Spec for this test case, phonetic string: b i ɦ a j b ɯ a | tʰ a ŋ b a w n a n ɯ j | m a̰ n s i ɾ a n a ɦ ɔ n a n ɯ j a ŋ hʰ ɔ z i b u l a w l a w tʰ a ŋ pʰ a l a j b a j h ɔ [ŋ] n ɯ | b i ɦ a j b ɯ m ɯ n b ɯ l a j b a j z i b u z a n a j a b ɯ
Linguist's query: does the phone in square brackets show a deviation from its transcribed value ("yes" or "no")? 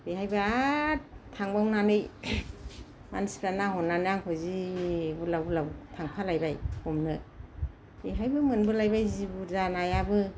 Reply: yes